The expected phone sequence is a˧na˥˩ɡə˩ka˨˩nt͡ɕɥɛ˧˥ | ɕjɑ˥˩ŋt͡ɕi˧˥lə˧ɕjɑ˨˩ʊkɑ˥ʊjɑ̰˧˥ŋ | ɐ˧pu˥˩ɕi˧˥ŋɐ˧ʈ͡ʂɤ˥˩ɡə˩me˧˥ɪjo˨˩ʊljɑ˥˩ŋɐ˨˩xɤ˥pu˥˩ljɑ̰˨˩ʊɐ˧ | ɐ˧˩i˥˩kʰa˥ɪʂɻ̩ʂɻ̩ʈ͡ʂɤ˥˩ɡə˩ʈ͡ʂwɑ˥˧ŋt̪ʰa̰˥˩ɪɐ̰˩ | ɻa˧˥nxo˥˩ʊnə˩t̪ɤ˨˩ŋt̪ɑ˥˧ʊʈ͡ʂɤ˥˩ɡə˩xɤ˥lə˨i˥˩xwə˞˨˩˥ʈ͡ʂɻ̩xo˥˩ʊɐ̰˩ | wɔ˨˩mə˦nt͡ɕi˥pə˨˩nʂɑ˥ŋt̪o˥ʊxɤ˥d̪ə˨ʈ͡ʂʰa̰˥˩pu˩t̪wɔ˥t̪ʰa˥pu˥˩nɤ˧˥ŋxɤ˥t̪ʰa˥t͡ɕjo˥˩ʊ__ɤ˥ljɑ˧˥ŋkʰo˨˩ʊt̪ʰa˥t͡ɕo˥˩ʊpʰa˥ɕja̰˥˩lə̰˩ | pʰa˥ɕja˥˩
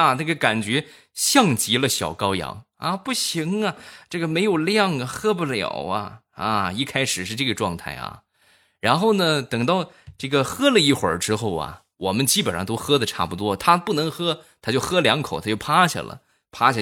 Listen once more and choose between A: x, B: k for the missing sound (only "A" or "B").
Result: A